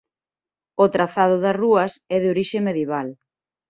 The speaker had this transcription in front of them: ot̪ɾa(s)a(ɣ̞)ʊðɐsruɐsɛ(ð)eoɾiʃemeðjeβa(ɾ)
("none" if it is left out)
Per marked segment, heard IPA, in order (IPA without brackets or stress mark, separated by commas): θ, ð̞, ð, l